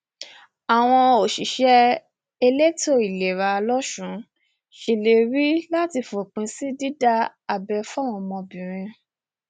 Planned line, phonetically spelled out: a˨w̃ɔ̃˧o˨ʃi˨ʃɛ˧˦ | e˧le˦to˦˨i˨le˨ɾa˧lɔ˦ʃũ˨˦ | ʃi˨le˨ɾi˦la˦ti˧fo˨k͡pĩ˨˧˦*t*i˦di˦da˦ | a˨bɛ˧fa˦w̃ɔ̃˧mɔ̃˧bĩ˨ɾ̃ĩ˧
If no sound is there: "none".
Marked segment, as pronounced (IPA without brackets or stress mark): s